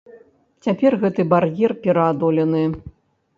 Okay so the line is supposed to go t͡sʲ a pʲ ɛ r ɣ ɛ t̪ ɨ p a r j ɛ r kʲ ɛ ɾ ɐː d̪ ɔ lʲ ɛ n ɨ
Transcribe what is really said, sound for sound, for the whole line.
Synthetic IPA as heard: t͡sʲ a pʲ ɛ r ɣ ɛ t̪ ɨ b a r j ɛ r pʲ ɛ ɾ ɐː d̪ ɔ lʲ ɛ n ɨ